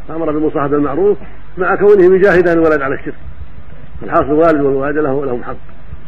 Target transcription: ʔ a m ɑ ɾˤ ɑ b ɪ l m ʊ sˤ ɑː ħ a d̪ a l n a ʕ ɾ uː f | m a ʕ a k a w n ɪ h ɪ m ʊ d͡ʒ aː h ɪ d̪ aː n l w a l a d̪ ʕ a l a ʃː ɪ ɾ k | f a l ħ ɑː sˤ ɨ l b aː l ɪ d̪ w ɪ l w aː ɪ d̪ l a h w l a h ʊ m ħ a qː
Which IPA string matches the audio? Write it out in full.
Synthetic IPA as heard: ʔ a m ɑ ɾˤ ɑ b ɪ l m ʊ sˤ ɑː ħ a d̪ a l m a ʕ ɾ uː f | m a ʕ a k a w n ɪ h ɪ m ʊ d͡ʒ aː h ɪ d̪ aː n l w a l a d̪ ʕ a l a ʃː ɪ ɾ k | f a l ħ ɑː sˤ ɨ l w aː l ɪ d̪ w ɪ l w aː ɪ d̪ l a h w l a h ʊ m ħ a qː